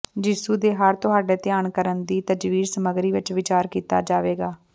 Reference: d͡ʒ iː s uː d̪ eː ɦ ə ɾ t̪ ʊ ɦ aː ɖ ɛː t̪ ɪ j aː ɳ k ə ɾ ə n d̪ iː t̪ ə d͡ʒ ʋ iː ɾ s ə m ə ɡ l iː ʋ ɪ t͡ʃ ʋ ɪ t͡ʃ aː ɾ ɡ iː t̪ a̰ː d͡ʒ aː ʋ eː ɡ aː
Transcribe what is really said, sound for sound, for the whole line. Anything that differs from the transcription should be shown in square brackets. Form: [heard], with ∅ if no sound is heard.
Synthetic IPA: d͡ʒ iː s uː d̪ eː ɦ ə ɾ t̪ ʊ ɦ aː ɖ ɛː t̪ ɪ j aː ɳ k ə ɾ ə n d̪ iː t̪ ə d͡ʒ ʋ iː ɾ s ə m ə ɡ [ɾ] iː ʋ ɪ t͡ʃ ʋ ɪ t͡ʃ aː ɾ [k] iː t̪ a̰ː d͡ʒ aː ʋ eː ɡ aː